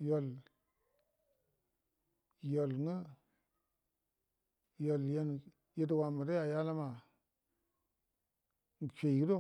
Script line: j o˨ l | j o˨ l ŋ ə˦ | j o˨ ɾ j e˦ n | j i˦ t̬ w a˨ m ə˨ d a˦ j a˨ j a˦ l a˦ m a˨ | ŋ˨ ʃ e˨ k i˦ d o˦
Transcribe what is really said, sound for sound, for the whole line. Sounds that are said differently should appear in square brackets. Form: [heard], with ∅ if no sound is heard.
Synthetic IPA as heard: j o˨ l | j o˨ l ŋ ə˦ | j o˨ [l] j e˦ n | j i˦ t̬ w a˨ m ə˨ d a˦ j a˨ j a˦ l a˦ m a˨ | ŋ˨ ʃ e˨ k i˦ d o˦